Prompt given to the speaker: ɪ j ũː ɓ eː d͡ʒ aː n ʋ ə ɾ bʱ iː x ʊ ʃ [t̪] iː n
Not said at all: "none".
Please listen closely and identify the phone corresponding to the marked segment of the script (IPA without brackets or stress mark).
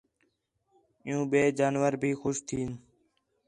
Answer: t̪ʰ